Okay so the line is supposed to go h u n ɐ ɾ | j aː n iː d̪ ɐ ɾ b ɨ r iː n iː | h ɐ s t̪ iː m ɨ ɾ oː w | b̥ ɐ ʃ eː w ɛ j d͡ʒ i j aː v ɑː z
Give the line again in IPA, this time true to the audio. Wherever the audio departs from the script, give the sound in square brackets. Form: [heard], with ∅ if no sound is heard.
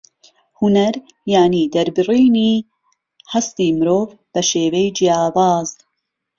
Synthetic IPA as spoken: h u n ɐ ɾ | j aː n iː d̪ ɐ ɾ b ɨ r iː n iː | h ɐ s t̪ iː m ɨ ɾ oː [v] | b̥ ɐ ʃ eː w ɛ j d͡ʒ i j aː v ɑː z